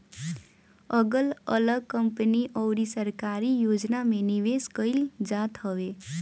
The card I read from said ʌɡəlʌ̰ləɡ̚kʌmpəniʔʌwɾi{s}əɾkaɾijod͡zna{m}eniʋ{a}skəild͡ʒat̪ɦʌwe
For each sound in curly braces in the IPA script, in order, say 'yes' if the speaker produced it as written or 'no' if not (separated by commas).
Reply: yes, yes, no